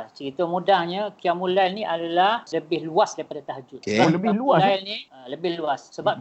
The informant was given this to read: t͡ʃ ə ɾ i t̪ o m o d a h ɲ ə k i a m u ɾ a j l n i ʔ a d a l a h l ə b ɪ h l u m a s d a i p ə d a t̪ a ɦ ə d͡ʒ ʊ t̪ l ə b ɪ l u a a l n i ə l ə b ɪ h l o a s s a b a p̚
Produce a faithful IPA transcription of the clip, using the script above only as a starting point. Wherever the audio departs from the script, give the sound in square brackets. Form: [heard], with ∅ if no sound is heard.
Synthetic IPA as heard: t͡ʃ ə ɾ i t̪ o m [u] d a h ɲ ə k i a m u [l] a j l n i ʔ a d a l a h l ə b ɪ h l u [∅] a s d a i p [a] d a t̪ a ɦ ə d͡ʒ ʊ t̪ l ə b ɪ l u a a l n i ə l ə b ɪ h l [u] a s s [ə] b a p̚